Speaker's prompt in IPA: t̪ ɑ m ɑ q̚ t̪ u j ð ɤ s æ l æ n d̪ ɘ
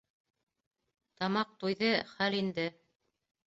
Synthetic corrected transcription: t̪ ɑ m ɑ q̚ t̪ u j ð ɤ χ æ l i n d̪ ɘ